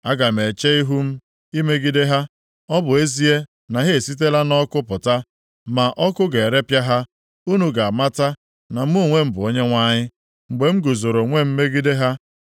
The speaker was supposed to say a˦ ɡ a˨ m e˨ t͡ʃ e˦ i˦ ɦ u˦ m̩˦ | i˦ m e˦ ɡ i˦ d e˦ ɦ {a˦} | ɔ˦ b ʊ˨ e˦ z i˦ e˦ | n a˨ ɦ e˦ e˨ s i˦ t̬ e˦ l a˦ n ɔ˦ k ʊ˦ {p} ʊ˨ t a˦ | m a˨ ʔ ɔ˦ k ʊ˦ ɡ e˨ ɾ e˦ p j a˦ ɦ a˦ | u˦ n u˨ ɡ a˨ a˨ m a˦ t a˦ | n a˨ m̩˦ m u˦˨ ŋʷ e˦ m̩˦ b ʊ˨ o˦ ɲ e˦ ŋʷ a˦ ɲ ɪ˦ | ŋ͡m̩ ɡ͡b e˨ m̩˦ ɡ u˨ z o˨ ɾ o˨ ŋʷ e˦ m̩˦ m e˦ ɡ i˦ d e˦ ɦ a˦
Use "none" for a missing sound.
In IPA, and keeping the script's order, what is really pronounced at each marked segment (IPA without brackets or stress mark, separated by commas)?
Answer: a˦, p